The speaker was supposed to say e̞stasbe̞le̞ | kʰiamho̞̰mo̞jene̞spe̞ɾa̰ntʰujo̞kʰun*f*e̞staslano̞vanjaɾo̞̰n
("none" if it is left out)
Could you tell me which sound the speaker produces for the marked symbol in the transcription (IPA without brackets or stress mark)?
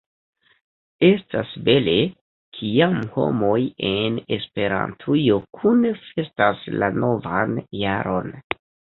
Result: f